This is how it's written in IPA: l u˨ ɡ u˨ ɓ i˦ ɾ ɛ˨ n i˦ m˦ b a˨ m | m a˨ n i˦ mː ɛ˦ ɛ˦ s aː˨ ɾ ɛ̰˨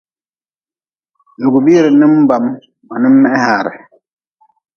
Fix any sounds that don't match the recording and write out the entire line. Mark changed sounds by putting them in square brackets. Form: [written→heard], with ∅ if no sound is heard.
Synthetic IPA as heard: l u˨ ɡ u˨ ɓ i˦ ɾ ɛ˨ n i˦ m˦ b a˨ m | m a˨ n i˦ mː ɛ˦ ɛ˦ [s→h] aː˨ ɾ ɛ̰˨